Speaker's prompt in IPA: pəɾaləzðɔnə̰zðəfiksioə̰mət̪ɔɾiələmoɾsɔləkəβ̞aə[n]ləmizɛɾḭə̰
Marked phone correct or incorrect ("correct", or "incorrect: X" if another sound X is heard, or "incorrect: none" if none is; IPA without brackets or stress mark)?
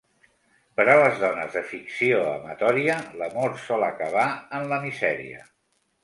correct